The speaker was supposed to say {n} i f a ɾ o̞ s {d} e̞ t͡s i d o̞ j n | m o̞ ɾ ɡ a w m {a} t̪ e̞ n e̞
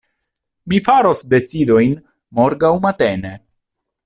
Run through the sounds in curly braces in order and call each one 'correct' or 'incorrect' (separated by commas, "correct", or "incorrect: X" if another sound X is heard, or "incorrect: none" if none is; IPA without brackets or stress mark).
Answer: incorrect: m, correct, correct